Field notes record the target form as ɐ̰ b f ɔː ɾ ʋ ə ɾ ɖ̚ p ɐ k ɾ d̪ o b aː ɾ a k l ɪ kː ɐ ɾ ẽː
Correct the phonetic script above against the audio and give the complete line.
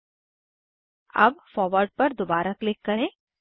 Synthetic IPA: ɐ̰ b f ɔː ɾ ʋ ə ɾ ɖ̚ p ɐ ɾ d̪ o b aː ɾ a k l ɪ kː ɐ ɾ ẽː